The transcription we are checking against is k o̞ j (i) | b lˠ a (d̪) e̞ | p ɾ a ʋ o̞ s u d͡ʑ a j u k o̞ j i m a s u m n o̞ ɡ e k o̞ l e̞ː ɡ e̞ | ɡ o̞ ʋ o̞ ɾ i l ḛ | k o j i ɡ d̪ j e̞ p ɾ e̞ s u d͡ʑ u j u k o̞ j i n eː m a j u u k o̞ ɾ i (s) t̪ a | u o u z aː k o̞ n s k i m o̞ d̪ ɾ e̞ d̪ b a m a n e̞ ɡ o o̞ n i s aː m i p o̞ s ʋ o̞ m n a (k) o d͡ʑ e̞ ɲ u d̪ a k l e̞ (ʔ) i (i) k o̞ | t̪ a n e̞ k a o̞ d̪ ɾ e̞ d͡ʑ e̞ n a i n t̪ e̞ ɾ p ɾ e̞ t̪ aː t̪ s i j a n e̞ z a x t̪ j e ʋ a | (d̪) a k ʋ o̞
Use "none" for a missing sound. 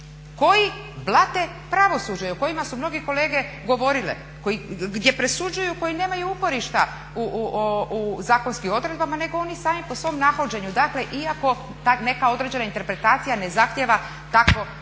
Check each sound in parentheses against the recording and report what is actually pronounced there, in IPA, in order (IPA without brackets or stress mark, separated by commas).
i, t̪, ʃ, x, ʔ, a, t̪